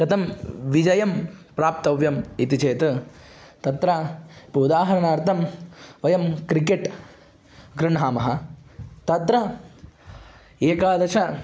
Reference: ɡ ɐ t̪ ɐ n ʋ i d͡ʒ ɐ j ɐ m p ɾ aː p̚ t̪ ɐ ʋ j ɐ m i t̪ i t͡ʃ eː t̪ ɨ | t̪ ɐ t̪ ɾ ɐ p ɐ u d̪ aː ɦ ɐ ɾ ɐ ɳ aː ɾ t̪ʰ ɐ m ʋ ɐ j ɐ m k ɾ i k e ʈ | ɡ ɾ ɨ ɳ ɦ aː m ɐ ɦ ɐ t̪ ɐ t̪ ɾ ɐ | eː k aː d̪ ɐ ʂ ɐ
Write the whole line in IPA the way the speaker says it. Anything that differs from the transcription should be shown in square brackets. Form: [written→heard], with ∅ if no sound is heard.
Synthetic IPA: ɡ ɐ t̪ ɐ [n→m] ʋ i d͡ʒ ɐ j ɐ m p ɾ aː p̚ t̪ ɐ ʋ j ɐ m i t̪ i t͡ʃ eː t̪ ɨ | t̪ ɐ t̪ ɾ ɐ p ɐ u d̪ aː ɦ ɐ ɾ ɐ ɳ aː ɾ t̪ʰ ɐ m ʋ ɐ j ɐ m k ɾ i k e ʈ | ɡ ɾ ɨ ɳ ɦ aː m ɐ ɦ ɐ t̪ ɐ t̪ ɾ ɐ | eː k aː d̪ ɐ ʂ ɐ